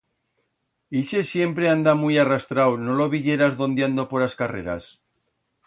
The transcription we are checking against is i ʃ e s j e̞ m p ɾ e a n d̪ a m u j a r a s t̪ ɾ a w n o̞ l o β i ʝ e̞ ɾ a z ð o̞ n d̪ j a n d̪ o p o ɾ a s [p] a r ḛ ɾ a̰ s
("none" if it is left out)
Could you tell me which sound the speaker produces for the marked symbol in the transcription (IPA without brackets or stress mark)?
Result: k